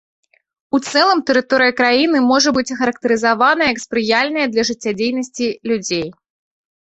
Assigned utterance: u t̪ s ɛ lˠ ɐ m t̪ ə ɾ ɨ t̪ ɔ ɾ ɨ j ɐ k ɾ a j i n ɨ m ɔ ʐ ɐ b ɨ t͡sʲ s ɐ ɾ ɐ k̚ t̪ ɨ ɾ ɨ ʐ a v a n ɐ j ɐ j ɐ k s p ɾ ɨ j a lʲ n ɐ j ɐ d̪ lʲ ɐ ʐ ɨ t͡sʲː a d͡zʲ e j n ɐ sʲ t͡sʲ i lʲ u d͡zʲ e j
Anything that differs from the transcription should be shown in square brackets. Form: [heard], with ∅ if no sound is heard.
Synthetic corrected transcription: u t̪ s ɛ lˠ ɐ m t̪ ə ɾ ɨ t̪ ɔ ɾ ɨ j ɐ k ɾ a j i n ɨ m ɔ ʐ ɐ b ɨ t͡sʲ [x] ɐ ɾ ɐ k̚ t̪ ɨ ɾ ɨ [z] a v a n ɐ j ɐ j ɐ k s p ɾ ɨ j a lʲ n ɐ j ɐ d̪ lʲ ɐ ʐ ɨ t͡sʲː a d͡zʲ e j n ɐ sʲ t͡sʲ i lʲ u d͡zʲ e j

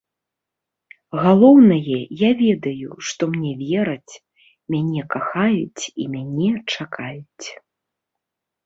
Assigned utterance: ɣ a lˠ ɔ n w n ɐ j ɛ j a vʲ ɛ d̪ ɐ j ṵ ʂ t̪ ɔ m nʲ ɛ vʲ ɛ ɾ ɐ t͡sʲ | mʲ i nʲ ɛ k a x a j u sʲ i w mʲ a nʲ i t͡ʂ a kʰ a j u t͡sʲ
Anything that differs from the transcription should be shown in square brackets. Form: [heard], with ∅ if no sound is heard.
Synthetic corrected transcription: ɣ a lˠ ɔ [∅] w n ɐ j ɛ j a vʲ ɛ d̪ ɐ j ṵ ʂ t̪ ɔ m nʲ ɛ vʲ ɛ ɾ ɐ t͡sʲ | mʲ [a] nʲ ɛ k a x a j u [t͡sʲ] i [∅] mʲ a nʲ [ɛ] t͡ʂ a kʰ a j u t͡sʲ

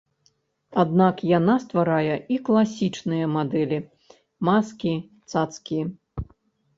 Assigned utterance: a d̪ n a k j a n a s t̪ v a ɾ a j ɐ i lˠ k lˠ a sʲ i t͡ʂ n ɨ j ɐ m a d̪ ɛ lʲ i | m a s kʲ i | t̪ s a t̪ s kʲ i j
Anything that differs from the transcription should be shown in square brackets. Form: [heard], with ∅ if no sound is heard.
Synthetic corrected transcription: a d̪ n a k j a n a s t̪ v a ɾ a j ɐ i [∅] k lˠ a sʲ i t͡ʂ n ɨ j ɐ m a d̪ ɛ lʲ i | m a s kʲ i | t̪ s a t̪ s kʲ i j

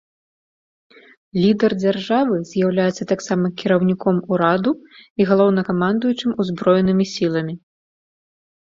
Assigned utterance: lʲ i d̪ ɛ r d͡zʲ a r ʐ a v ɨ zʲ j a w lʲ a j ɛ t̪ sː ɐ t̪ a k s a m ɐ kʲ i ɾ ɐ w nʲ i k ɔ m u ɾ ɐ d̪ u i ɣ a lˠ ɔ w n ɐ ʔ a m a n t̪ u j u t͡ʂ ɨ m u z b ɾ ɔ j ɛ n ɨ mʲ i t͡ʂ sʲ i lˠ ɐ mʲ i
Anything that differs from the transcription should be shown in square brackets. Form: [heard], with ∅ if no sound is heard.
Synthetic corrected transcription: lʲ i d̪ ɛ r d͡zʲ a r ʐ a v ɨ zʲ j a w lʲ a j ɛ t̪ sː ɐ t̪ a k s a m ɐ kʲ i ɾ ɐ w nʲ i k ɔ m u ɾ [a] d̪ u i ɣ a lˠ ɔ w n ɐ [k] a m a n [d̪] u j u t͡ʂ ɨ m u z b ɾ ɔ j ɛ n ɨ mʲ i [∅] sʲ i lˠ ɐ mʲ i

